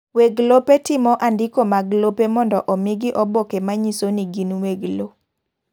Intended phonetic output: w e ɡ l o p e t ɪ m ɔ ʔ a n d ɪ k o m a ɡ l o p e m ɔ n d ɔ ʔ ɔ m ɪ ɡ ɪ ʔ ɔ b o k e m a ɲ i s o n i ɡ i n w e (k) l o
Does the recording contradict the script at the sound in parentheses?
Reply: yes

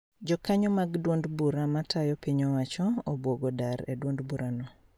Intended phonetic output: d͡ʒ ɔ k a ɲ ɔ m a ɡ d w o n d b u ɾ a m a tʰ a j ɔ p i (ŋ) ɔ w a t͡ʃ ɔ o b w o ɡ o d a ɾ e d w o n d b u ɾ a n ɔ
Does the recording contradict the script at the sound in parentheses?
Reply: yes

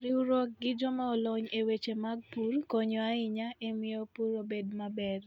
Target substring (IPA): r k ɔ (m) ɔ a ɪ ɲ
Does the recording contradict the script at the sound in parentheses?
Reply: yes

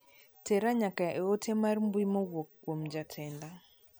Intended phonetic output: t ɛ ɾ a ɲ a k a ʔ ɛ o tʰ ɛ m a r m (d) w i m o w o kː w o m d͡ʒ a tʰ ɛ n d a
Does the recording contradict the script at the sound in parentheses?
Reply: yes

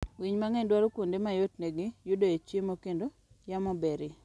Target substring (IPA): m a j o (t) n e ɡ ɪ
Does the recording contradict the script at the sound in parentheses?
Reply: no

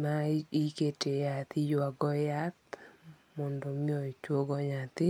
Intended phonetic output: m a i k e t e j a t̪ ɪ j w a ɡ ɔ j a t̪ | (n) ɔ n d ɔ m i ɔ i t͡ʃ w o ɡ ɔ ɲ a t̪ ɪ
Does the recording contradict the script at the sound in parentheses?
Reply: yes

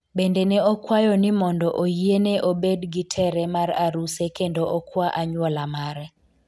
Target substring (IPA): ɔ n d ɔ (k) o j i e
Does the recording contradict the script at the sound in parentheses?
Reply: yes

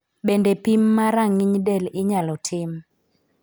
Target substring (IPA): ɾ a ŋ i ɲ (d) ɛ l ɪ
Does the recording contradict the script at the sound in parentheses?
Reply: no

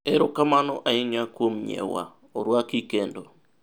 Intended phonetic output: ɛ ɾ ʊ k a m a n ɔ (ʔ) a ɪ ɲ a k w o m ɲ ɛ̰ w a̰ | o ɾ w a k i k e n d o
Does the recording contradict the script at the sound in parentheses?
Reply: no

